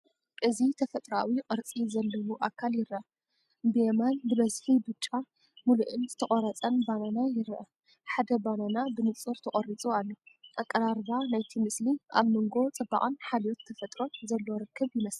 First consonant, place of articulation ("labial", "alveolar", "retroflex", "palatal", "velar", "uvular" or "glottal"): glottal